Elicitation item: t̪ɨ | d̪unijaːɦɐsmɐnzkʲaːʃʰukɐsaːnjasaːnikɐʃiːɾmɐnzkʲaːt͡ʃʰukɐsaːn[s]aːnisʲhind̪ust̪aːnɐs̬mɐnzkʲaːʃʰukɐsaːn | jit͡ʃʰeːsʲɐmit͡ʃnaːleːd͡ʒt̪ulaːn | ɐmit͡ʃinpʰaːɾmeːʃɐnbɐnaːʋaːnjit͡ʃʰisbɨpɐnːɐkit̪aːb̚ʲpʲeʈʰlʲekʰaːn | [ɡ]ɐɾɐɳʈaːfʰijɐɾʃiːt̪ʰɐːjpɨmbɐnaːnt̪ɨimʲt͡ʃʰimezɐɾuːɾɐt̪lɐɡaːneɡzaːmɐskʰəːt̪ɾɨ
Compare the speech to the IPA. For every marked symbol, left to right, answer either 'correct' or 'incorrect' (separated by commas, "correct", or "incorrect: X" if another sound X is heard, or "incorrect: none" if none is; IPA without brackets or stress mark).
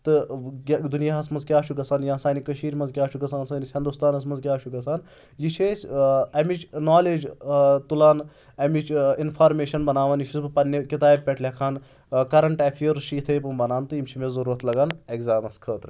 correct, incorrect: k